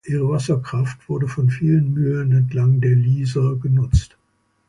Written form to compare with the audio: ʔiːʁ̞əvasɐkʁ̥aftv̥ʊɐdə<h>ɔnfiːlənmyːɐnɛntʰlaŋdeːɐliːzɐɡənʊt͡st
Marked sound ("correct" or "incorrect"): incorrect